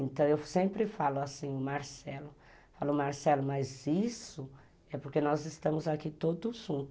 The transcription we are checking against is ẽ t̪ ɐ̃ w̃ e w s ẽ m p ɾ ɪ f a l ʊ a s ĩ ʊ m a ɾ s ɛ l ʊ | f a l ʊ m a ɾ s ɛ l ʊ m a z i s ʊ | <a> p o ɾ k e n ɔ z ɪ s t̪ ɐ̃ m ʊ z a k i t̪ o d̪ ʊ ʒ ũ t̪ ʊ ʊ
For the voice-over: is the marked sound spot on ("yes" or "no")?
no